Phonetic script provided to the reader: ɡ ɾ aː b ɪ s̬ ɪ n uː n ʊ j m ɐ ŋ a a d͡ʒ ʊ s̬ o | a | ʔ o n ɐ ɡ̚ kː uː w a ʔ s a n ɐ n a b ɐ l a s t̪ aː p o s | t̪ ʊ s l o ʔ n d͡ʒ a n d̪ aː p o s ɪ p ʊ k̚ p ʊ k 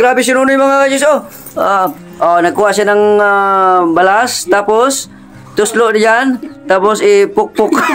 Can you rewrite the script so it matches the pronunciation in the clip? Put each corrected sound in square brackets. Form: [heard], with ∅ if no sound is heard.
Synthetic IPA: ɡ ɾ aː b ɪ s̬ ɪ n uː n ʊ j m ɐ ŋ a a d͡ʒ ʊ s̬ o | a | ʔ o n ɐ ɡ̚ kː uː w a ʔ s a n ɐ [ŋ] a b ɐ l a s t̪ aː p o s | t̪ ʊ s l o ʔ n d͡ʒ a n [t̪] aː p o s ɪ p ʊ k̚ p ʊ k